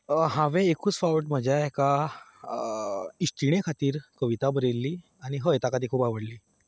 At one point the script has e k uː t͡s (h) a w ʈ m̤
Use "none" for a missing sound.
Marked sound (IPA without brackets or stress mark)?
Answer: f